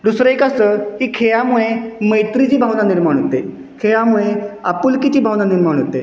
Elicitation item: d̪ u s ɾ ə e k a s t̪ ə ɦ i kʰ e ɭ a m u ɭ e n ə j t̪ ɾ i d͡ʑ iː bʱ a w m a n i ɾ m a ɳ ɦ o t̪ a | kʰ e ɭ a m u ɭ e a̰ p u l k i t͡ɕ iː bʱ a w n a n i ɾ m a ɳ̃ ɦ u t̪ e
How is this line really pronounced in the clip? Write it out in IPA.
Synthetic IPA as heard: d̪ u s ɾ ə e k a s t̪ ə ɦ i kʰ e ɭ a m u ɭ e m ə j t̪ ɾ i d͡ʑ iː bʱ a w n a n i ɾ m a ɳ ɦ o t̪ e | kʰ e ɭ a m u ɭ e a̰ p u l k i t͡ɕ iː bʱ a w n a n i ɾ m a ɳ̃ ɦ o t̪ e